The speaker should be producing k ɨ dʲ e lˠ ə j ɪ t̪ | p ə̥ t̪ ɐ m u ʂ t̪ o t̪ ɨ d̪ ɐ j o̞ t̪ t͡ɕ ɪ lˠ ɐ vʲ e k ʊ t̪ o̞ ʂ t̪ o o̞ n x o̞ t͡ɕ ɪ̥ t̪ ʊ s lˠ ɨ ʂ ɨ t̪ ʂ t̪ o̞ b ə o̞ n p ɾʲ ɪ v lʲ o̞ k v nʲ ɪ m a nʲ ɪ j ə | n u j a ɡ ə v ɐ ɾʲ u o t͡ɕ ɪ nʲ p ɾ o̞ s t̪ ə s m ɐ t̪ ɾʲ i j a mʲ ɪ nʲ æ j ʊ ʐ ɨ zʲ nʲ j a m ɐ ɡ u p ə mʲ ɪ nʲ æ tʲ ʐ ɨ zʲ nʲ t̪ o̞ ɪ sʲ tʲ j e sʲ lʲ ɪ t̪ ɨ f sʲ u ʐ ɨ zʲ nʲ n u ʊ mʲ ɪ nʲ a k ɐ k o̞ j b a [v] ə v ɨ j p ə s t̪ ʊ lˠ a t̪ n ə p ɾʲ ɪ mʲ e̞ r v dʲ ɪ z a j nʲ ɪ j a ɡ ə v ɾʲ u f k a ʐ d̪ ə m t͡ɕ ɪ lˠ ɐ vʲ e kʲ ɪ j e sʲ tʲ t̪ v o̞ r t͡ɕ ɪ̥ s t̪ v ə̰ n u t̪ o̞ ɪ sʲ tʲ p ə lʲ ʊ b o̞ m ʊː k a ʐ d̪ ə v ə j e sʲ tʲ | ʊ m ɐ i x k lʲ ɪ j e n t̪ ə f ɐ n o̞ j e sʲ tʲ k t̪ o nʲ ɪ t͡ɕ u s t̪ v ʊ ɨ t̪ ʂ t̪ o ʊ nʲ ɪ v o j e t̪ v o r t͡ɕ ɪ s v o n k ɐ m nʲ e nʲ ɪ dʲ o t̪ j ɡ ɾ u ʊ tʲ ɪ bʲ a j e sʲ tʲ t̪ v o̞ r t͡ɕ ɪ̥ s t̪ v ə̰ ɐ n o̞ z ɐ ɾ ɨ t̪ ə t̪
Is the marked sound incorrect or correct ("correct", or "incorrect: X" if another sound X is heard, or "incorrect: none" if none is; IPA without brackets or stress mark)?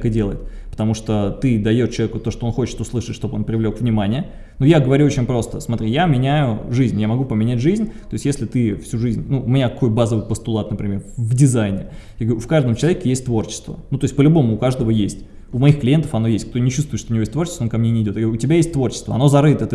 incorrect: z